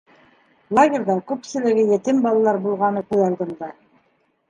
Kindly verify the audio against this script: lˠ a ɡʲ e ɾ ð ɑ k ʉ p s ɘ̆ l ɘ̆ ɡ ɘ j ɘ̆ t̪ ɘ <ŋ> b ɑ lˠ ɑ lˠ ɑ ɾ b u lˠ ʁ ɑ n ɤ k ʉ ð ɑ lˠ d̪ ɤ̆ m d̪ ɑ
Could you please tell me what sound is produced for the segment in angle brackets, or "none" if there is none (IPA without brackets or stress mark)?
m